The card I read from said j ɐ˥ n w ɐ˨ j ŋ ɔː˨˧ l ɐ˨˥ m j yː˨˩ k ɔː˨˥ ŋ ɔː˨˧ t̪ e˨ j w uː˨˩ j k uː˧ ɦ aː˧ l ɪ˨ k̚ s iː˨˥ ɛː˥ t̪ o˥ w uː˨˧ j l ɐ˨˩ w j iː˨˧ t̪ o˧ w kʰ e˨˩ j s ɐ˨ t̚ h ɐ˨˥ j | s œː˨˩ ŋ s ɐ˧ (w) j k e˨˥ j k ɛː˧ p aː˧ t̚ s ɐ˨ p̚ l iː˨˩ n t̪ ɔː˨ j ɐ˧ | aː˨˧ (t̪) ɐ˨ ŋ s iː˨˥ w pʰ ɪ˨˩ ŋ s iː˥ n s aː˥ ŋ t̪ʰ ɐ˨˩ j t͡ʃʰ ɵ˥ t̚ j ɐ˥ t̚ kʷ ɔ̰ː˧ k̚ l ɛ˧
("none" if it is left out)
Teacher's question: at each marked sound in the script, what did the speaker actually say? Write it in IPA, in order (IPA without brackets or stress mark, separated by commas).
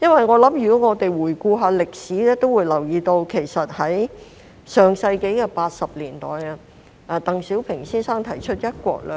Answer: none, t̪